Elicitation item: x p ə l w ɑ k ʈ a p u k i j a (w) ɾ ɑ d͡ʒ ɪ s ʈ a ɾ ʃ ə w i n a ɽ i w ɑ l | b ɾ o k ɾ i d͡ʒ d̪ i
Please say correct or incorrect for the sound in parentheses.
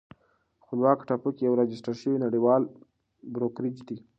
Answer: correct